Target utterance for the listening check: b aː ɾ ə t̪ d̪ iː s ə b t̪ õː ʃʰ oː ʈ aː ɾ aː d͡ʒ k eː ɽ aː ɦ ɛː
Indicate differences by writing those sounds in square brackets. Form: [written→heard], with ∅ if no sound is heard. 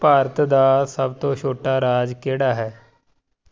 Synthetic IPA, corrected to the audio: [b→p] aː ɾ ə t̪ d̪ [iː→aː] s ə b t̪ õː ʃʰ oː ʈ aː ɾ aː d͡ʒ k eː ɽ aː ɦ ɛː